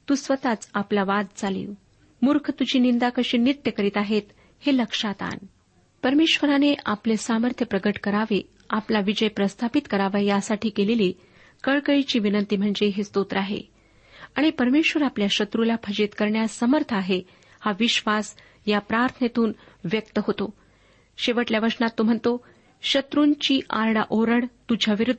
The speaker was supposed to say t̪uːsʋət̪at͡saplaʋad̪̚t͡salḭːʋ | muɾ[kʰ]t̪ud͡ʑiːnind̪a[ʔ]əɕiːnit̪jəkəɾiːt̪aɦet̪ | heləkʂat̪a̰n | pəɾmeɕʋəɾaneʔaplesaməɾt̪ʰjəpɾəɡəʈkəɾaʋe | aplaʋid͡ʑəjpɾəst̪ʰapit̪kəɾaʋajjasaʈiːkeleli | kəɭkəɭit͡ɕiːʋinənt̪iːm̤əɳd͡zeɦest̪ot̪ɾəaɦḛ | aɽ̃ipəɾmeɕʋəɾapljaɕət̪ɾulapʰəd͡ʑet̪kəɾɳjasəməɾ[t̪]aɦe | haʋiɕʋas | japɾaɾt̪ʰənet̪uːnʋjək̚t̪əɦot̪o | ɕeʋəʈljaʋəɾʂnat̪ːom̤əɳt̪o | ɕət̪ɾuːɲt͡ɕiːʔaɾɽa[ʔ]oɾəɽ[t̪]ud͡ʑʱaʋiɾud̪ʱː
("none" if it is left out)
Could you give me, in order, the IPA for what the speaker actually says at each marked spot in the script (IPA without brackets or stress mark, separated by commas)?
kʰ, k, t̪ʰ, ʔ, t̪